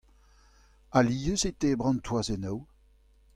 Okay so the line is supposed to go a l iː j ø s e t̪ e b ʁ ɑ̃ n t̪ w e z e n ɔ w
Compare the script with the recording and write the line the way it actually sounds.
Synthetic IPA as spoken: a l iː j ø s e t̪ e b ʁ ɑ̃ n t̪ w a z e n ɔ w